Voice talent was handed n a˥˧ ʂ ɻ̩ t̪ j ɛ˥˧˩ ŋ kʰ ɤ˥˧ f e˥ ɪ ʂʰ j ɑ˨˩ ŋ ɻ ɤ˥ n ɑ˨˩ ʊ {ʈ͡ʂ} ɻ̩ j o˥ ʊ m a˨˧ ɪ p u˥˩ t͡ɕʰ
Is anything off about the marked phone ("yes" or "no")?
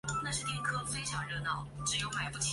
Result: no